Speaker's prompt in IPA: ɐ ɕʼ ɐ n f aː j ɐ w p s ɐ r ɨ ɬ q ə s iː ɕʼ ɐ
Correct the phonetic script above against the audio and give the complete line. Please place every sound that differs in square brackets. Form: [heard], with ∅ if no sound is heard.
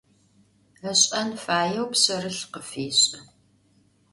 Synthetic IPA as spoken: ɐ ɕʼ ɐ n f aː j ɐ w p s ɐ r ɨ ɬ q ə [f] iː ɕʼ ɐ